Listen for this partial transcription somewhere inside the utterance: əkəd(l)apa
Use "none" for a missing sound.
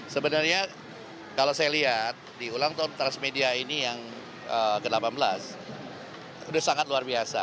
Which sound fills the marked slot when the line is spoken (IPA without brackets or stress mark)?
l